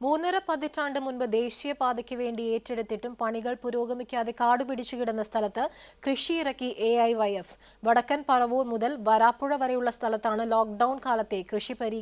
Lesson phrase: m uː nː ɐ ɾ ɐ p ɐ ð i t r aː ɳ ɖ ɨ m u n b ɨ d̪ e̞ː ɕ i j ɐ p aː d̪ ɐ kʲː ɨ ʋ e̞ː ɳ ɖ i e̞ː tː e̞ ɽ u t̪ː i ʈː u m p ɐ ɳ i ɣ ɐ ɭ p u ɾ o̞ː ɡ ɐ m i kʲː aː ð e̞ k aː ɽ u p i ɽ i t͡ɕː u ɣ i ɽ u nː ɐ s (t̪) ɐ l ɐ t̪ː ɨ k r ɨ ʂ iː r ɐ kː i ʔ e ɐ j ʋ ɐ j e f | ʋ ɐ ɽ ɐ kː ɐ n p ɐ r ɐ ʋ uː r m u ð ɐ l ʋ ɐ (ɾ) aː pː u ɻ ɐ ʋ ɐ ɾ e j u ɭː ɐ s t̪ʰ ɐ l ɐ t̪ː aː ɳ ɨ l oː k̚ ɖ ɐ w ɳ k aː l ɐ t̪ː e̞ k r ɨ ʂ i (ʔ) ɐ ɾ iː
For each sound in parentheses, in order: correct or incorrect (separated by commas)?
incorrect, correct, incorrect